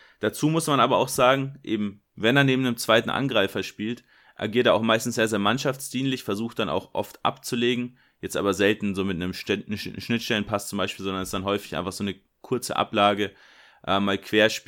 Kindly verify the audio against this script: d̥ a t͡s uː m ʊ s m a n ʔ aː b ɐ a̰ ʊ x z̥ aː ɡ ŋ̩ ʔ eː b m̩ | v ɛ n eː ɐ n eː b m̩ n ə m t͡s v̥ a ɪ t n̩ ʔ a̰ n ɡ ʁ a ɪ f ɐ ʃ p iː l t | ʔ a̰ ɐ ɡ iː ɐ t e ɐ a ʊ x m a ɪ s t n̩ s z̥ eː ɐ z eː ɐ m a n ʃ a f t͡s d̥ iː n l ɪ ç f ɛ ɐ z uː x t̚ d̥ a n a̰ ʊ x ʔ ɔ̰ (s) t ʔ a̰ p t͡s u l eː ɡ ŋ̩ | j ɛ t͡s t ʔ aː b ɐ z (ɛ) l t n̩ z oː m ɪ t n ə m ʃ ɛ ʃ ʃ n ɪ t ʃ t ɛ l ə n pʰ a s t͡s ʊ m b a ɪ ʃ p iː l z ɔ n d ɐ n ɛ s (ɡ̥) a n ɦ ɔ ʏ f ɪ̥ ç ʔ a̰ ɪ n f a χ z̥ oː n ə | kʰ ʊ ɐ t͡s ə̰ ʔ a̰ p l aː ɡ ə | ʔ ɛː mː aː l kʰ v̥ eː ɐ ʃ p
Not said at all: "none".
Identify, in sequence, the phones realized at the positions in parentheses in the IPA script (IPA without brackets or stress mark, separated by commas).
f, ɛ, d̥